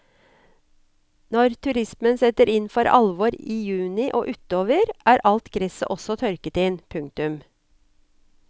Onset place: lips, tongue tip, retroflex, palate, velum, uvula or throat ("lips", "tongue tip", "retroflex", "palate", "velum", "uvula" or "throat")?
tongue tip